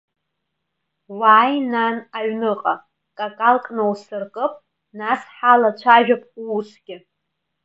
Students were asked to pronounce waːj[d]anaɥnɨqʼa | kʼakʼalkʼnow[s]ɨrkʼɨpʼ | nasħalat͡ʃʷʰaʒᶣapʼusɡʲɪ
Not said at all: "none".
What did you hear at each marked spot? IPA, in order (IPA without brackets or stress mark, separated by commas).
n, s